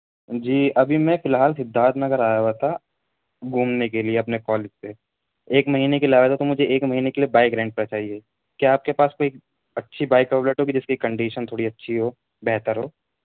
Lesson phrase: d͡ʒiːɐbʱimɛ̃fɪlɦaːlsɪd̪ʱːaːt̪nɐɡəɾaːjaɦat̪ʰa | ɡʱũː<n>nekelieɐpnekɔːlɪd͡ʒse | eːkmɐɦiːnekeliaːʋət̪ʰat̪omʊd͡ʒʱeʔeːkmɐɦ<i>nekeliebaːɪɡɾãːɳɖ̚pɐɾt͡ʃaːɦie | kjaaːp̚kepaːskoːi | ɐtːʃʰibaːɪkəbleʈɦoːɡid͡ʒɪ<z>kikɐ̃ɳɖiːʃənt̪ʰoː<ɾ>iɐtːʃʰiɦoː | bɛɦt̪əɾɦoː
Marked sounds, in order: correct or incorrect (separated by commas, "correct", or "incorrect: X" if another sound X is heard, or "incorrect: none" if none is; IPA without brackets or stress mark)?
incorrect: m, incorrect: iː, incorrect: s, incorrect: ɽ